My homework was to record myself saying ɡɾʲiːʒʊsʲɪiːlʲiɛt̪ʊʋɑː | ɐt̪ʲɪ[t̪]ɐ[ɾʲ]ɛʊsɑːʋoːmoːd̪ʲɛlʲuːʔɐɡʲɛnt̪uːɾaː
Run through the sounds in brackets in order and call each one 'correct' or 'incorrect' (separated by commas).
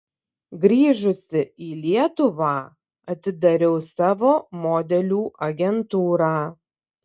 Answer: incorrect, correct